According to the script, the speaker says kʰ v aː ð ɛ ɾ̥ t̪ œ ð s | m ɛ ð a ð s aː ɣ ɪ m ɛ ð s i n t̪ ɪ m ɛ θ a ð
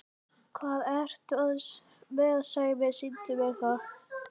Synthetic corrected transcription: kʰ v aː ð ɛ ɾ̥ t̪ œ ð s | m ɛ ð a ð s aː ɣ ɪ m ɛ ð s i n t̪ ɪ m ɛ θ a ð